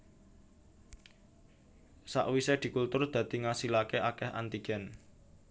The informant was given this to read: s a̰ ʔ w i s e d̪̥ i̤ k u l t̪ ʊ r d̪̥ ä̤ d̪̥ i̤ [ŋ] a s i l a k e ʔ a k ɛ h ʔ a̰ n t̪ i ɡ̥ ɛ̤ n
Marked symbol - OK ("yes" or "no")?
yes